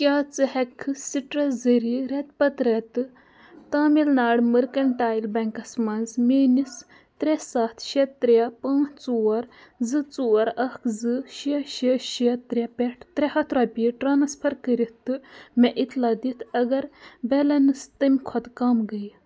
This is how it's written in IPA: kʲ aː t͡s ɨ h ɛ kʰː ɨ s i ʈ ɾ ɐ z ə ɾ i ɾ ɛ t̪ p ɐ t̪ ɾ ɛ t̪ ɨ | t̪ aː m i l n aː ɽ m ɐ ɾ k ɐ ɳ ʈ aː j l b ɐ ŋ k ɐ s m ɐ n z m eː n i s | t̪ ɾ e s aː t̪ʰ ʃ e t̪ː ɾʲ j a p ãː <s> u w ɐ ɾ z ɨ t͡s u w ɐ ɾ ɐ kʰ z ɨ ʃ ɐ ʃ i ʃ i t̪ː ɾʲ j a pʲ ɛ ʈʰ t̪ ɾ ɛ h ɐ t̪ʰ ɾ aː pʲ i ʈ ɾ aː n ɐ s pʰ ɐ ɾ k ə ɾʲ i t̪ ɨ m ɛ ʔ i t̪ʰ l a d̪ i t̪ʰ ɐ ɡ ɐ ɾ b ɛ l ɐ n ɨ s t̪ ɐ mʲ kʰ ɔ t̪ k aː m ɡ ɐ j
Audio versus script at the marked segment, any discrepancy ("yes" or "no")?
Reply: yes